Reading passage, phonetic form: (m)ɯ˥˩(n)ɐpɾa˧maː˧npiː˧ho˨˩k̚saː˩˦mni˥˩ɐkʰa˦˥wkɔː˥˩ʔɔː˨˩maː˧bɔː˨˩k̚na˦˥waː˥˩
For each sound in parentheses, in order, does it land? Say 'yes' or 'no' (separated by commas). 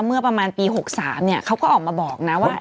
yes, no